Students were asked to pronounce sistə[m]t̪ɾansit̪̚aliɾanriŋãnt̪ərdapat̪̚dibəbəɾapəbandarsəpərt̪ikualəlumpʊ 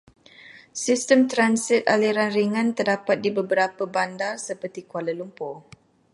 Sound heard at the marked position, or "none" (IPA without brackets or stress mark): m